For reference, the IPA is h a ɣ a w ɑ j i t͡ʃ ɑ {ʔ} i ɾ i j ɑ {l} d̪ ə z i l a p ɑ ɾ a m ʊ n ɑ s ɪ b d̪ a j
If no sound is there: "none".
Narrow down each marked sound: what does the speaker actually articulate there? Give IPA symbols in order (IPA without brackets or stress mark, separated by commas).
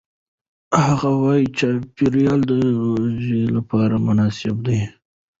p, l